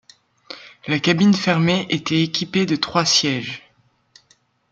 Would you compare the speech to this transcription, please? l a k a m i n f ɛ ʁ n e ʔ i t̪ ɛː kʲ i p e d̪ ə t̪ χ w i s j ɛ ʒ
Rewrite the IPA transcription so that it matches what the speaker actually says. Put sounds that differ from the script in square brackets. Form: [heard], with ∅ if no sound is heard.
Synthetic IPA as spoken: l a k a [b] i n f ɛ ʁ [m] e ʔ [e] t̪ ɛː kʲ i p e d̪ ə t̪ χ w [a] s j ɛ ʒ

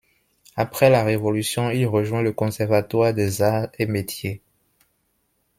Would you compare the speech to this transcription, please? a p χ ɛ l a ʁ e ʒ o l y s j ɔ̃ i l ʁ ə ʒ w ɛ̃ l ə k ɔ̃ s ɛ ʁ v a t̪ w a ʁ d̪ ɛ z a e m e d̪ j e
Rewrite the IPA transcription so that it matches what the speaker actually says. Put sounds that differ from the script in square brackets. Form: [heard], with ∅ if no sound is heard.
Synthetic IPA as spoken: a p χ ɛ l a ʁ e [v] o l y s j ɔ̃ i l ʁ ə ʒ w ɛ̃ l ə k ɔ̃ s ɛ ʁ v a t̪ w a ʁ d̪ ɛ z a e m e [t̪] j e

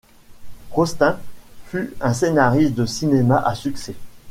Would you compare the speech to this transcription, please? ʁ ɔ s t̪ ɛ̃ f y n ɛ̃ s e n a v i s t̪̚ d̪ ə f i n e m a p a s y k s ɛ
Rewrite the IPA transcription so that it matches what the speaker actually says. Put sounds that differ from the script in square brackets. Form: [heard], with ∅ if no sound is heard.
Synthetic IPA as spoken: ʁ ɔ s t̪ ɛ̃ f y [∅] ɛ̃ s e n a [ʁ] i s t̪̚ d̪ ə [s] i n e m a [ʔ] a s y k s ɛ

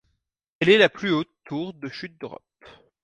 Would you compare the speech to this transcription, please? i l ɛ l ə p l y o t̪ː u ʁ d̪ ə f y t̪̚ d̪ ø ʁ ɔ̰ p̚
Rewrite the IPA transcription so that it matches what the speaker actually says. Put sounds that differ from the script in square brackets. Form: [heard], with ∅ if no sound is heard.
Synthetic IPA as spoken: [ɛ] l ɛ l [a] p l y o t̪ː u ʁ d̪ ə [ʃ] y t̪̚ d̪ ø ʁ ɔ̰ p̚

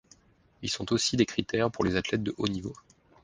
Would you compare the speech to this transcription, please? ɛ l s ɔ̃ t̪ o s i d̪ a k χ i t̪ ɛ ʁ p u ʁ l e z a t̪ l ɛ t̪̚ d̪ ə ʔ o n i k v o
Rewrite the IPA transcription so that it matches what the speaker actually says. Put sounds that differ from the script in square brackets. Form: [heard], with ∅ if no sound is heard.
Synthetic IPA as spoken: [i] l s ɔ̃ t̪ o s i d̪ [e] k χ i t̪ ɛ ʁ p u ʁ l e z a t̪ l ɛ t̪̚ d̪ ə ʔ o n i [∅] v o

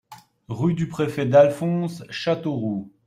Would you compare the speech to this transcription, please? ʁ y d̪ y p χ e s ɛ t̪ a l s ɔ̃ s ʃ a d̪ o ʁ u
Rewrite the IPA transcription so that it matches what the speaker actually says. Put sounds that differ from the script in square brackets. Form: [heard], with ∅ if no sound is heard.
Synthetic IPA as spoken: ʁ y d̪ y p χ e [f] ɛ [d̪] a l [f] ɔ̃ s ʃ a [t̪] o ʁ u

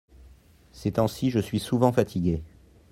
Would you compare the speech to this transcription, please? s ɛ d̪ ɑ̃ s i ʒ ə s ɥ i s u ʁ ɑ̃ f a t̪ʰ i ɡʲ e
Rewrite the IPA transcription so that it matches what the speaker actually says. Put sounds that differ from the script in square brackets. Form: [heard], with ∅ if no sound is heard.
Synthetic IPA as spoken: s ɛ [t̪] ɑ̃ s i ʒ ə s ɥ i s u [v] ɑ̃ f a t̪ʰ i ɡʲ e

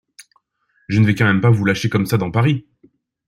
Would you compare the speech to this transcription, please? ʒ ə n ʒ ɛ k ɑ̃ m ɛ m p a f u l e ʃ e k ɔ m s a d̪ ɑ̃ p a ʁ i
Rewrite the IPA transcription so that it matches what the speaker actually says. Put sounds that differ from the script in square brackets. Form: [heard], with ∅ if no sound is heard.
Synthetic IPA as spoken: ʒ ə n [v] ɛ k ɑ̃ m ɛ m p a [v] u l [a] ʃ e k ɔ m s a d̪ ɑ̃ p a ʁ i

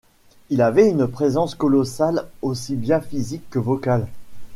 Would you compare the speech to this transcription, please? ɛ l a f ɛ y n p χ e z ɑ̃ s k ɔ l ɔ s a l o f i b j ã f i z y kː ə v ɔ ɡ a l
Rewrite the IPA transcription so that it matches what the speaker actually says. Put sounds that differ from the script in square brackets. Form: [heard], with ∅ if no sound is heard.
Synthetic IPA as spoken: [i] l a [v] ɛ y n p χ e z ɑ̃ s k ɔ l ɔ s a l o [s] i b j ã f i z [i] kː ə v ɔ [k] a l

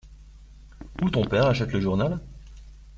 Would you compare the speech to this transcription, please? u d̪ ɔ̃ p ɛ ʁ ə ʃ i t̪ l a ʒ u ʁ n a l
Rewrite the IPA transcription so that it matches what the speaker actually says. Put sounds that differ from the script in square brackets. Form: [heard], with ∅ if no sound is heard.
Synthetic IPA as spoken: u [t̪] ɔ̃ p ɛ ʁ [a] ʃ [ɛ] t̪ l [ə] ʒ u ʁ n a l

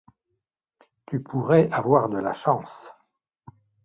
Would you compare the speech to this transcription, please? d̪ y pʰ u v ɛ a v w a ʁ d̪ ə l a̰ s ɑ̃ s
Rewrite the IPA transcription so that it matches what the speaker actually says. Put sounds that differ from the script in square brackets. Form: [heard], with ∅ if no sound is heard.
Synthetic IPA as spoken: [t̪] y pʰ u [ʁ] ɛ a v w a ʁ d̪ ə l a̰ [ʃ] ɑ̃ s

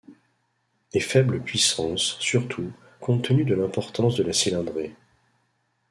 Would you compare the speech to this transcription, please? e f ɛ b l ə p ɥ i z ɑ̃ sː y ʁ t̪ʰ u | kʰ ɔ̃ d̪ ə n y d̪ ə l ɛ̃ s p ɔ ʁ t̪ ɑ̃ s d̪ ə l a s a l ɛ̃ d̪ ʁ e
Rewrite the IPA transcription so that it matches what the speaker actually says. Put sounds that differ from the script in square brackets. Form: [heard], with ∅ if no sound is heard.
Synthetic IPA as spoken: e f ɛ b l ə p ɥ i [s] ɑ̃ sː y ʁ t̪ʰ u | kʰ ɔ̃ [t̪] ə n y d̪ ə l ɛ̃ [∅] p ɔ ʁ t̪ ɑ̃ s d̪ ə l a s [i] l ɛ̃ d̪ ʁ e

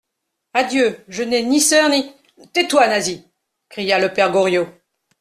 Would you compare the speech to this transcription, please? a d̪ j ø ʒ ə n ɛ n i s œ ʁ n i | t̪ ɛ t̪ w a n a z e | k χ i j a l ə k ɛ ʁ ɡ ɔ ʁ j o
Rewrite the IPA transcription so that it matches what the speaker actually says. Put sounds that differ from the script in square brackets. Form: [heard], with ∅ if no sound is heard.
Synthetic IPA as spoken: a d̪ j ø ʒ ə n ɛ n i s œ ʁ n i | t̪ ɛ t̪ w a n a z [i] | k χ i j a l ə [p] ɛ ʁ ɡ ɔ ʁ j o

